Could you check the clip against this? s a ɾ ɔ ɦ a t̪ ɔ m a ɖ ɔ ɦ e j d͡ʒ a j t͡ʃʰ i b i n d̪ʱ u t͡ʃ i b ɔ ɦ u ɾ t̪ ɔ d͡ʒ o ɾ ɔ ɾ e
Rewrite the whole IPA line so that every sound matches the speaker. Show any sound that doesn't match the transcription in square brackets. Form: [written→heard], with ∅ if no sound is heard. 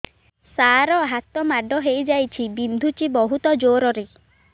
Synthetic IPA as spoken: s a ɾ ɔ ɦ a t̪ ɔ m a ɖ ɔ ɦ e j d͡ʒ a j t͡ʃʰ i b i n d̪ʱ u t͡ʃ i b ɔ ɦ u [ɾ→∅] t̪ ɔ d͡ʒ o ɾ ɔ ɾ e

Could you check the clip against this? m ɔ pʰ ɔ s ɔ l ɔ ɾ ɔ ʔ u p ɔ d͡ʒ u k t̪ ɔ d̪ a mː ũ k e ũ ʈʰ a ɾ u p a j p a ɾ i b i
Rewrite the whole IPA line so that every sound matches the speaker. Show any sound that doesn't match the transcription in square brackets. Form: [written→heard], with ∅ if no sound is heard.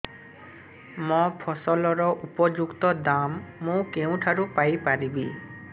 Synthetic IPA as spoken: m ɔ pʰ ɔ s ɔ l ɔ ɾ ɔ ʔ u p ɔ d͡ʒ u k t̪ ɔ d̪ a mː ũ k e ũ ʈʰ a ɾ u p a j p a ɾ i b i

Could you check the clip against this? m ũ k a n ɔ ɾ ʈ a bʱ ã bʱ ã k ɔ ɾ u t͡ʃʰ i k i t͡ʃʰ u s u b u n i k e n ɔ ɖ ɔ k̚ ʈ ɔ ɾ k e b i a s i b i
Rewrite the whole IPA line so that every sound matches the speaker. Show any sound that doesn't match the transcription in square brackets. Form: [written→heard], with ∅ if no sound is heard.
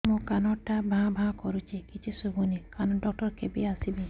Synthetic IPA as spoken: m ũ k a n ɔ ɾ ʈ a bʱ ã bʱ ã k ɔ ɾ u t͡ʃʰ i k i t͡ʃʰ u s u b u n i k [e→a] n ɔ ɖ ɔ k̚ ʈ ɔ ɾ k e b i a s i b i

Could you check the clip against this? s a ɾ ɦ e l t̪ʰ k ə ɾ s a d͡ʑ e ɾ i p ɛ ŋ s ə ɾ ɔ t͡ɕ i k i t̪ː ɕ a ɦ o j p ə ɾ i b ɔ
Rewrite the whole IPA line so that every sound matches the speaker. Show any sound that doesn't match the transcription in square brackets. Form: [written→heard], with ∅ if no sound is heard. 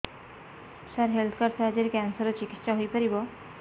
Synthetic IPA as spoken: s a ɾ ɦ e l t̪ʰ k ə ɾ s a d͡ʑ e ɾ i [p→k] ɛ [ŋ→n] s ə ɾ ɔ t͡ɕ i k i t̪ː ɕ a ɦ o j p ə ɾ i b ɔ

